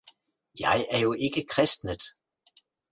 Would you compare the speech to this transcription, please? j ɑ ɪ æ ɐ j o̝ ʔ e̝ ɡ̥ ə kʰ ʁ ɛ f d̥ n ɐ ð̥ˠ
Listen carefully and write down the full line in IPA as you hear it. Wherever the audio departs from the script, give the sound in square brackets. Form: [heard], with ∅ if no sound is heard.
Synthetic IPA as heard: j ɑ ɪ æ ɐ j o̝ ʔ e̝ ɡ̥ ə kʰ ʁ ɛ [s] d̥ n [ə] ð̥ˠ